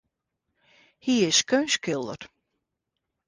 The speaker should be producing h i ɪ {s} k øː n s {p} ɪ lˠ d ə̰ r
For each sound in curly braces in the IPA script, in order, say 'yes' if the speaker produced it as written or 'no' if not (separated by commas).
yes, no